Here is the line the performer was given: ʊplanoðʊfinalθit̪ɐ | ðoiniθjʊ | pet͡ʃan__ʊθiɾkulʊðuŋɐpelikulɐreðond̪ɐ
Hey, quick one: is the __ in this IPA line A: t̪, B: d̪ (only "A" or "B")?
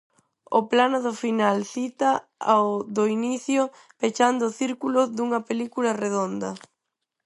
B